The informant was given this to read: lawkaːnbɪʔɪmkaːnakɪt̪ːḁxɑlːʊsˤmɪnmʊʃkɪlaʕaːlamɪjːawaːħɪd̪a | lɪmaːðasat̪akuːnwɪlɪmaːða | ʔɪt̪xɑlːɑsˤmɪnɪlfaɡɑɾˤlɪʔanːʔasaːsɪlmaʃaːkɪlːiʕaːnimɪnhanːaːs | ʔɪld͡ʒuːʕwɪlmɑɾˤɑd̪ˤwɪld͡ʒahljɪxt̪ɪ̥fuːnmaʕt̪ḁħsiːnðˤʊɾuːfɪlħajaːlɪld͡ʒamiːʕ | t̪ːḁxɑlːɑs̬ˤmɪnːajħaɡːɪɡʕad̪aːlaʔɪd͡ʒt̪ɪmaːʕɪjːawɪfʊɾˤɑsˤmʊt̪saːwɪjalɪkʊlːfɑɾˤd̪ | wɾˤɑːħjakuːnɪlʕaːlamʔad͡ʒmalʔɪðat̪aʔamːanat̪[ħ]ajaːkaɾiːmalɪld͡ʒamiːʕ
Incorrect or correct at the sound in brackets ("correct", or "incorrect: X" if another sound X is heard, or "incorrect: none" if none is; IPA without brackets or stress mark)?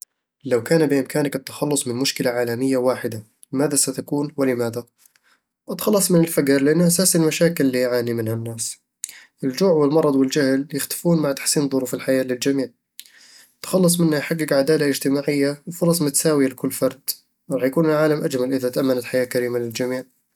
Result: correct